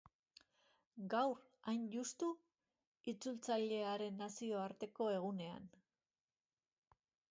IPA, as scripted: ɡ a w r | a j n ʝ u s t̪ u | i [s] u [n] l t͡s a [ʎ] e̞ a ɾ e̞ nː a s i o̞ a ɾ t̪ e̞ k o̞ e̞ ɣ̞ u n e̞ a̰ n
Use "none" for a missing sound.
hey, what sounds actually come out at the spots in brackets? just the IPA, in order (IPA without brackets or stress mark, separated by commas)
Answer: t͡s, none, ʎ